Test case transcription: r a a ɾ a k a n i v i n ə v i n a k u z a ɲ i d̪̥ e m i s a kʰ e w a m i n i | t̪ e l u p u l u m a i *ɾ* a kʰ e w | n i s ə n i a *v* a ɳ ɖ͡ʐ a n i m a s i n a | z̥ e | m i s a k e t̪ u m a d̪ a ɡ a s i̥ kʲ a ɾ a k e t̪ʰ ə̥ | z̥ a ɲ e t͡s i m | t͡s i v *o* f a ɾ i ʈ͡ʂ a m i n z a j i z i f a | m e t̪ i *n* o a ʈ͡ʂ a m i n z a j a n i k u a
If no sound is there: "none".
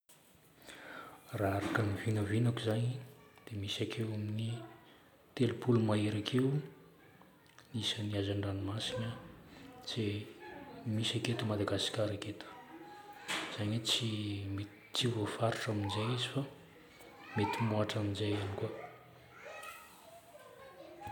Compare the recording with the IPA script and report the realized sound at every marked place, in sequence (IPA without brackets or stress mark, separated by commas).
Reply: ɾ, z, o, m